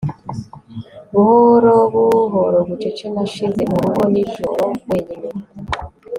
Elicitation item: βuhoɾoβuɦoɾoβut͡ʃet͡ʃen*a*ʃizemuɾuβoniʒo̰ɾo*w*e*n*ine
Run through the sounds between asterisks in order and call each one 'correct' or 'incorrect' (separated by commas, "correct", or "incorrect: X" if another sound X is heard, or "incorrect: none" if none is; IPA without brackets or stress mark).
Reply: correct, correct, incorrect: ɲ